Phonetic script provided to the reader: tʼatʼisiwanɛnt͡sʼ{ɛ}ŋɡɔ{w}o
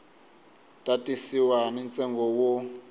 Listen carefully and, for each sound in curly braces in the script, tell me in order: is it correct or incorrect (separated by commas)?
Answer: correct, correct